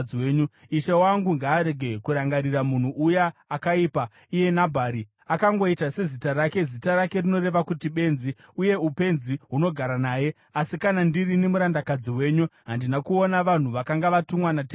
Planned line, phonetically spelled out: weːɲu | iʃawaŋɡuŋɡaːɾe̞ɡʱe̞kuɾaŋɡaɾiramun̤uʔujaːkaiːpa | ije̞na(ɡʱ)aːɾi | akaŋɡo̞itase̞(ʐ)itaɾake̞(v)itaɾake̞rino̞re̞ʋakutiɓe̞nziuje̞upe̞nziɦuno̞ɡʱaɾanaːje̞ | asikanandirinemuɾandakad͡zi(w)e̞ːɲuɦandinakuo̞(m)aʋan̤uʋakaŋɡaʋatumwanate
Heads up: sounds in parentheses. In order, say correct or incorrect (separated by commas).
incorrect, incorrect, incorrect, correct, incorrect